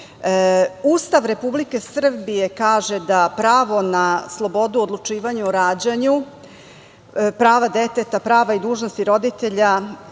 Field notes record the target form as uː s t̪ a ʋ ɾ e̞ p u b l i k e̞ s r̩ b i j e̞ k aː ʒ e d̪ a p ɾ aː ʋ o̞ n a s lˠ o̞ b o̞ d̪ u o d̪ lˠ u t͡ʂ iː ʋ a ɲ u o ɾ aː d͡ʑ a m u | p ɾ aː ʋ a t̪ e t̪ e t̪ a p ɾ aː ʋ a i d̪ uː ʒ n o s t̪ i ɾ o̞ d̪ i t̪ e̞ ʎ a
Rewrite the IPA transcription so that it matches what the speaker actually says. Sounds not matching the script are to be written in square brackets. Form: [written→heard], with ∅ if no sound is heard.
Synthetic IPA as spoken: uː s t̪ a ʋ ɾ e̞ p u b l i k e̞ s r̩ b i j e̞ k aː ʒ e d̪ a p ɾ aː ʋ o̞ n a s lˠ o̞ b o̞ d̪ u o d̪ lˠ u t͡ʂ iː ʋ a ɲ u o ɾ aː d͡ʑ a [m→ɲ] u | p ɾ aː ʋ a [t̪→d̪] e t̪ e t̪ a p ɾ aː ʋ a i d̪ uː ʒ n o s t̪ i ɾ o̞ d̪ i t̪ e̞ ʎ a